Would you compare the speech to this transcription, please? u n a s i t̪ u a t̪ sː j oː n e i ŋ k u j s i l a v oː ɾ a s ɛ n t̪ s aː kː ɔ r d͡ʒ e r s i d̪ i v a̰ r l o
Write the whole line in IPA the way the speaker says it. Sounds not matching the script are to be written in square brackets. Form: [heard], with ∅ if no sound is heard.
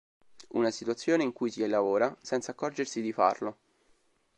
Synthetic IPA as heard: u n a s i t̪ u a t̪ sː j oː n e i ŋ k u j s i l a v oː ɾ a s ɛ n t̪ s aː kː ɔ r d͡ʒ e r s i d̪ i [f] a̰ r l o